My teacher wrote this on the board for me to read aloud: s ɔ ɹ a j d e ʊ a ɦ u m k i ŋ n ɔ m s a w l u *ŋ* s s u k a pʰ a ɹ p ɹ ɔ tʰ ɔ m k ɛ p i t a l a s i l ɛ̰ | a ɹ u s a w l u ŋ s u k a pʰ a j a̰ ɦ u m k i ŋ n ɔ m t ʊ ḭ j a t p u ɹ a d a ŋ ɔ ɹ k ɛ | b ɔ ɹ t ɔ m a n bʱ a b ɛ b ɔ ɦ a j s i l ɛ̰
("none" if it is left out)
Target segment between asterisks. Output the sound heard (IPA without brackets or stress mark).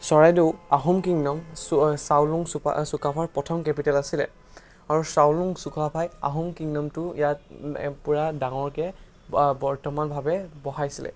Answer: ŋ